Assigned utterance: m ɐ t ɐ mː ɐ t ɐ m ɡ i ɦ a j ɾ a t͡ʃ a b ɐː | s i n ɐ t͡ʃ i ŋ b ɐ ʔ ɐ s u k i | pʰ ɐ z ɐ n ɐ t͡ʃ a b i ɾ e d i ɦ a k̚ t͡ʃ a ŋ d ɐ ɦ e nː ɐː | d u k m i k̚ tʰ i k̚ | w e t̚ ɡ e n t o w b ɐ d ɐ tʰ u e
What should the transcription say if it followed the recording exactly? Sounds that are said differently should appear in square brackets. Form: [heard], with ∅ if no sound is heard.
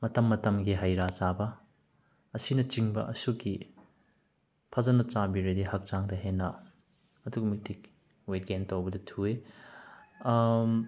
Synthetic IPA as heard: m ɐ t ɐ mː ɐ t ɐ m ɡ i ɦ a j ɾ a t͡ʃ a b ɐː | s i n ɐ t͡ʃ i ŋ b ɐ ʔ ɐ s u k i | pʰ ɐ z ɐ n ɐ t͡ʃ a b i ɾ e d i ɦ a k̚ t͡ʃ a ŋ d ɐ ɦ e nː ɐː | d u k m i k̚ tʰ i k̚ | w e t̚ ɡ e n t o w b ɐ d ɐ tʰ u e